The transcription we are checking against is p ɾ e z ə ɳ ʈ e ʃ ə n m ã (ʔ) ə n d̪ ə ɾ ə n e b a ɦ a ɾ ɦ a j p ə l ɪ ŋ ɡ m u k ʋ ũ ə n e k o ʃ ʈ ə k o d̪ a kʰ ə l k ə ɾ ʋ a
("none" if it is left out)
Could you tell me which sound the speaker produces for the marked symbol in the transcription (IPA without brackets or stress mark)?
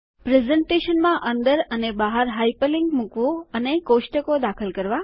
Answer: ʔ